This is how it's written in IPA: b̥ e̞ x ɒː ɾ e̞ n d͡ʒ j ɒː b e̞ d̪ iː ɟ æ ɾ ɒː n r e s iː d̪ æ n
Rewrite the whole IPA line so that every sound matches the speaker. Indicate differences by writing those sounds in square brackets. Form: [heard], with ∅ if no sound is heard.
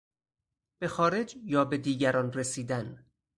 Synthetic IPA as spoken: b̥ e̞ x ɒː ɾ e̞ [∅] d͡ʒ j ɒː b e̞ d̪ iː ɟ æ ɾ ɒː n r e s iː d̪ æ n